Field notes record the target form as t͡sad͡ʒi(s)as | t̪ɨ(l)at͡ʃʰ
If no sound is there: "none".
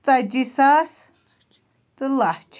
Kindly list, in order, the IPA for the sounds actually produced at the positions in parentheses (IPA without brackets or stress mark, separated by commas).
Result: s, l